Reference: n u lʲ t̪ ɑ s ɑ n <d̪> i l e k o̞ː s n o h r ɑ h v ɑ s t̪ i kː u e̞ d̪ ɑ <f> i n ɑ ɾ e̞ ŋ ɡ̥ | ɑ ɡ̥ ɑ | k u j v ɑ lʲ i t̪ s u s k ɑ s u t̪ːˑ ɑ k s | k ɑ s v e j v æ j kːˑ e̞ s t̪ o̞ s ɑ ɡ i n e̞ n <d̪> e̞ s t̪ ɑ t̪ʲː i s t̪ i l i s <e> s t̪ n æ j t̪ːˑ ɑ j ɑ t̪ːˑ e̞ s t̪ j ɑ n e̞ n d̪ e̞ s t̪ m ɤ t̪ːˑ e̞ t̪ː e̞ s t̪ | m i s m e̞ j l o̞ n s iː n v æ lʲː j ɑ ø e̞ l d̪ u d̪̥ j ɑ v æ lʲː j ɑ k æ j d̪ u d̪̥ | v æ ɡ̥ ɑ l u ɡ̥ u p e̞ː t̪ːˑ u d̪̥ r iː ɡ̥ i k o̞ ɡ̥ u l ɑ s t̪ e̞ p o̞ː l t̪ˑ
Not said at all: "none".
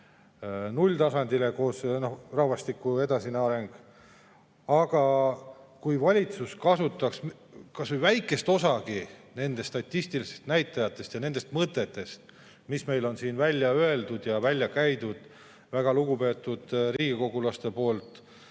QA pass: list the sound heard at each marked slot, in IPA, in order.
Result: d̪, s, d̪, e

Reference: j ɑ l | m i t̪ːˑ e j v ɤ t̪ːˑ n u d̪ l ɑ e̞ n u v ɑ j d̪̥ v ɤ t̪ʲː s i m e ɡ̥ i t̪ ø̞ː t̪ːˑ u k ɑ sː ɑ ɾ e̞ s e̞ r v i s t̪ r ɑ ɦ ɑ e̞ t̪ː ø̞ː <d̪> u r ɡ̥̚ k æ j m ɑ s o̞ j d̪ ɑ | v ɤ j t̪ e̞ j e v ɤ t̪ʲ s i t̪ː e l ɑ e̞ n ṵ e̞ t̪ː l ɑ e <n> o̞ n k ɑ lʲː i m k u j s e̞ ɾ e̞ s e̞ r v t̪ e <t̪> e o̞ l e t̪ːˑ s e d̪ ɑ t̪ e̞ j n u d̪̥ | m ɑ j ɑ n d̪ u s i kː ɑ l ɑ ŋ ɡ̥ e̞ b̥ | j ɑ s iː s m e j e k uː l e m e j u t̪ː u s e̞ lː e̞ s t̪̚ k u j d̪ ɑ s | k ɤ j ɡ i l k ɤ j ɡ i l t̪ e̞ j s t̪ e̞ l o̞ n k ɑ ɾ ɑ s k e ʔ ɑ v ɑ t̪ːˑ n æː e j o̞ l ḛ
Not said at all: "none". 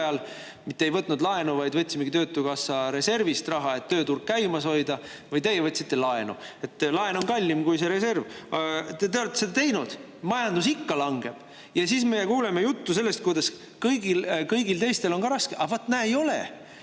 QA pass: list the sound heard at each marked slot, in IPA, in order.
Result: t̪, n, t̪

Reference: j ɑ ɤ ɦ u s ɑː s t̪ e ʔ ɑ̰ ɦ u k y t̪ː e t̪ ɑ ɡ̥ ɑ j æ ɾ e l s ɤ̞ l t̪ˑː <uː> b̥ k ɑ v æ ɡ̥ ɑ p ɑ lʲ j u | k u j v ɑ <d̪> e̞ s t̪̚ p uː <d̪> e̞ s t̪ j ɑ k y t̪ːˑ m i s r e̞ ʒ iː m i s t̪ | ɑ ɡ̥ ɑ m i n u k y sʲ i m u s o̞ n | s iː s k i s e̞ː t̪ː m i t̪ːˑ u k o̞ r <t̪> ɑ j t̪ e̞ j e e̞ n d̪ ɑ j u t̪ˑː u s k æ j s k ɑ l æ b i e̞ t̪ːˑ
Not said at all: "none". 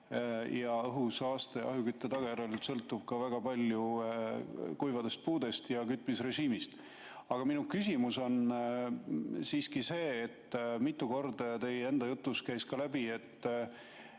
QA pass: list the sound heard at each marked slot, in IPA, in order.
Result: u, d̪, d̪, d̪

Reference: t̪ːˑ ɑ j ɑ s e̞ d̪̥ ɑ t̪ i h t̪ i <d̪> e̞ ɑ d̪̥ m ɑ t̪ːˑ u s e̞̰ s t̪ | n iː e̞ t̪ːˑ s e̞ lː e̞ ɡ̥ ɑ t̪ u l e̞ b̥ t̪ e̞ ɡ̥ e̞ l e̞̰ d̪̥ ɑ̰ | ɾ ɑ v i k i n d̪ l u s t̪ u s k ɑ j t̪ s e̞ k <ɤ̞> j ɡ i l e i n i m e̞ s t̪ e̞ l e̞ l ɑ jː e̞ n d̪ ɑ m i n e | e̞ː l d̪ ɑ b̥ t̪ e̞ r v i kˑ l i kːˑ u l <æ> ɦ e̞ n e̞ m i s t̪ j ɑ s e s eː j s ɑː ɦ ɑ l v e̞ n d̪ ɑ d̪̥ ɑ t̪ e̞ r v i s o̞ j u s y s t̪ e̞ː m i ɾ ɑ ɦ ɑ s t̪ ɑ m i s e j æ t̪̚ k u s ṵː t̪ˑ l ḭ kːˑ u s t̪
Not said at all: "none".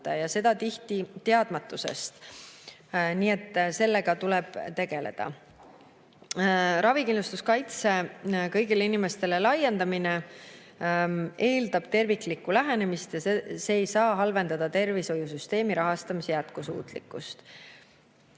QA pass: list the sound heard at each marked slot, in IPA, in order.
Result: t̪, ɤ̞, æ

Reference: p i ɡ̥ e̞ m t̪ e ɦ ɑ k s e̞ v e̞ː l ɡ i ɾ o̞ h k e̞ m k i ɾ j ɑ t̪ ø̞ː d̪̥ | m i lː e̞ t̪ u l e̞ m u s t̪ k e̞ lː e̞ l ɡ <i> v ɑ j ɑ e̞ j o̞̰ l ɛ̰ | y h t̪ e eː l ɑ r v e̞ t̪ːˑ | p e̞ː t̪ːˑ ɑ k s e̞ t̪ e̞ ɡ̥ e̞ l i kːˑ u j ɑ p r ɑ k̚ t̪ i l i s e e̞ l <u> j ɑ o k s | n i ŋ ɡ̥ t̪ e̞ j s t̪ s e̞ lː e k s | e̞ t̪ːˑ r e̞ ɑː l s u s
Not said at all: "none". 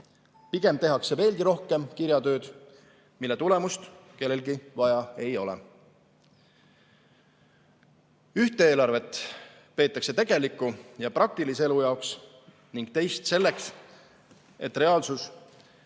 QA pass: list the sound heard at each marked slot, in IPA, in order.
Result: i, u

